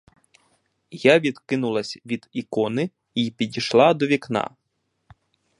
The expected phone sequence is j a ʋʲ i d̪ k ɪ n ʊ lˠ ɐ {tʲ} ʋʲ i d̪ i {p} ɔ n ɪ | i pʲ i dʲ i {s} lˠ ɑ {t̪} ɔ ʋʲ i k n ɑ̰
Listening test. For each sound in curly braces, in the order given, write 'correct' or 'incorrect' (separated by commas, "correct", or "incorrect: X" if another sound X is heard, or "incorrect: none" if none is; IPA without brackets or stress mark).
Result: incorrect: sʲ, incorrect: k, incorrect: ʃ, incorrect: d̪